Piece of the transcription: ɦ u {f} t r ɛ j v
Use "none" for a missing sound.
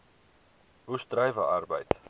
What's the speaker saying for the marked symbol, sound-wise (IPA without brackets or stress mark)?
s